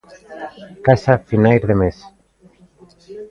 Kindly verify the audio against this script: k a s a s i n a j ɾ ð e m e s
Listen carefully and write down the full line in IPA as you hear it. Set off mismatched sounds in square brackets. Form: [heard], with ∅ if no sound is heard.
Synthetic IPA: k a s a [f] i n a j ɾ ð e m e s